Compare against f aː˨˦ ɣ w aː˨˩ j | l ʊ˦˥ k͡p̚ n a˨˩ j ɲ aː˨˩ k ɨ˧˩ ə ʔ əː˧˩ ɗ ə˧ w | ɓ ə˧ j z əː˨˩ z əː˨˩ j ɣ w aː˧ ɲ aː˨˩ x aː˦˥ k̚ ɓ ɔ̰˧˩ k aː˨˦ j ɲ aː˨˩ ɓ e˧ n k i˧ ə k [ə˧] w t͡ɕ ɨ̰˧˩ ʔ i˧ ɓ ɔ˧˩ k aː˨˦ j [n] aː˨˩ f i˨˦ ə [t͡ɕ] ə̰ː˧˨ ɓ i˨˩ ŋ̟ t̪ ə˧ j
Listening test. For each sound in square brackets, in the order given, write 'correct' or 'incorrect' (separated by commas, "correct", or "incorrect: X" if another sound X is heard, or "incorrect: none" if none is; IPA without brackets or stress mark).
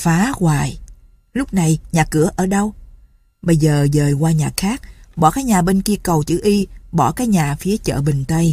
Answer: incorrect: ə˨˩, incorrect: ɲ, correct